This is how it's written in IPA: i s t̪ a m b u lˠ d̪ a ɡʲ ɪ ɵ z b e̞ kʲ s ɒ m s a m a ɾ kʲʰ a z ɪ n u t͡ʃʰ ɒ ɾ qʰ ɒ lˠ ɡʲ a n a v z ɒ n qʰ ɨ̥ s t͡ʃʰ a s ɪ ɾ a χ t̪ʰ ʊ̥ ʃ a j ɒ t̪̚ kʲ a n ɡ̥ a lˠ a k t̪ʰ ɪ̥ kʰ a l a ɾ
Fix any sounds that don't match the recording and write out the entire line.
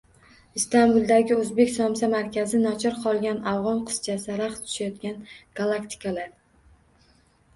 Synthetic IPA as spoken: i s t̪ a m b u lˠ d̪ a ɡʲ ɪ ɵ z b e̞ kʲ s ɒ m s a m a ɾ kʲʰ a z ɪ n ɒ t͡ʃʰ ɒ ɾ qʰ ɒ lˠ ɡʲ a n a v ʁ ɒ n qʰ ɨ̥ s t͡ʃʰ a s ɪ ɾ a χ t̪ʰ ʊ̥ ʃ a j ɒ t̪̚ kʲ a n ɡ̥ a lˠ a k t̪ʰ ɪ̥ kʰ a l a ɾ

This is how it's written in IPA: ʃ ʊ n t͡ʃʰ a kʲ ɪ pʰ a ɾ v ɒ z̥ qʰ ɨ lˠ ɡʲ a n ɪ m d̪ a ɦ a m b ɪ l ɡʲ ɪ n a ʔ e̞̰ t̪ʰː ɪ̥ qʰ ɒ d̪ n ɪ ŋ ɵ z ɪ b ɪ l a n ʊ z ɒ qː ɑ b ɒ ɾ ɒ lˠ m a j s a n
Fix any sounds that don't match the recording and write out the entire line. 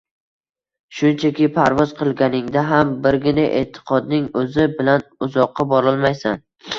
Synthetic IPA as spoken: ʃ ʊ n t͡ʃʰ a kʲ ɪ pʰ a ɾ v ɒ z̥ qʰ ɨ lˠ ɡʲ a n ɪ ŋ d̪ a ɦ a m b ɪ ɾ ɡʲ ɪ n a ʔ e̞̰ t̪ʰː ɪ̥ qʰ ɒ d̪ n ɪ ŋ ɵ z ɪ b ɪ l a n ʊ z ɒ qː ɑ b ɒ ɾ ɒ lˠ m a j s a n

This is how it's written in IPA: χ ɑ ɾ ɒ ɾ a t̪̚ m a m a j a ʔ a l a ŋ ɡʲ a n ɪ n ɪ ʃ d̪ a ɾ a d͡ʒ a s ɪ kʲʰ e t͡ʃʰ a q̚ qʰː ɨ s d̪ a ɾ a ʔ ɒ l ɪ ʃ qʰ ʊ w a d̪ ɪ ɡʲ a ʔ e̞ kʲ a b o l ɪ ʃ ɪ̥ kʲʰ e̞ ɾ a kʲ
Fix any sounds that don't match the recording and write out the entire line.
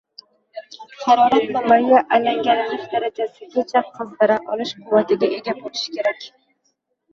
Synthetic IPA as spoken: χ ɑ ɾ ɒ ɾ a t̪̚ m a m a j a ʔ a l a ŋ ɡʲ a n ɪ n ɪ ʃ d̪ a ɾ a d͡ʒ a s ɪ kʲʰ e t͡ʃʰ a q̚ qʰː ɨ z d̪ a ɾ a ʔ ɒ l ɪ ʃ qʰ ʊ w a t̪ ɪ ɡʲ a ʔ e̞ ɡʲ a b o l ɪ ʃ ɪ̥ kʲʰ e̞ ɾ a kʲ

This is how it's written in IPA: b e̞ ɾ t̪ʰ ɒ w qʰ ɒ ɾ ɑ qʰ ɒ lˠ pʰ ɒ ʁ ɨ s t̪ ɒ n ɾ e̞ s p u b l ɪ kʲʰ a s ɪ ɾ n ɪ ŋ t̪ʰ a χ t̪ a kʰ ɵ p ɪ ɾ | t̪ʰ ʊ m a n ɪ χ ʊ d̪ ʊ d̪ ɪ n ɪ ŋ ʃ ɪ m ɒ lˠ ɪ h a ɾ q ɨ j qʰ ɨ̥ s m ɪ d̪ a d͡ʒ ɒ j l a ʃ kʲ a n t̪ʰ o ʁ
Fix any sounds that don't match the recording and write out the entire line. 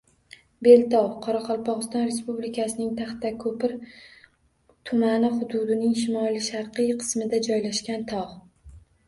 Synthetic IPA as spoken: b e̞ l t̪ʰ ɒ w qʰ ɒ ɾ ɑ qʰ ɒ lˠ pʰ ɒ ʁ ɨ s t̪ ɒ n ɾ e̞ s p u b l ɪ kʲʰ a s ɪ n ɪ ŋ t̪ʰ a χ t̪ a kʰ ɵ p ɪ ɾ | t̪ʰ ʊ m a n ɪ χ ʊ d̪ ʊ d̪ ɪ n ɪ ŋ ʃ ɪ m ɒ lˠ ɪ ʃ a ɾ q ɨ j qʰ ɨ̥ s m ɪ d̪ a d͡ʒ ɒ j l a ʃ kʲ a n t̪ʰ ɒ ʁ

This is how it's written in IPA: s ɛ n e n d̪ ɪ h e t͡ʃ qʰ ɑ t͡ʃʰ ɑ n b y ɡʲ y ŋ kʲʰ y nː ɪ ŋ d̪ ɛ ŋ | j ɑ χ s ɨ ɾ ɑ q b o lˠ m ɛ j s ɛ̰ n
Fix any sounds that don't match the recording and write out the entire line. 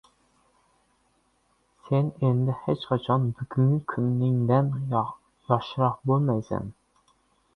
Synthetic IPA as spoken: s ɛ n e n d̪ ɪ h e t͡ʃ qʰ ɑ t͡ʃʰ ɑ n b y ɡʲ y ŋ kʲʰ y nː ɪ ŋ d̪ ɛ n | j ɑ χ ʃ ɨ ɾ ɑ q b o lˠ m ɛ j s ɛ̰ n

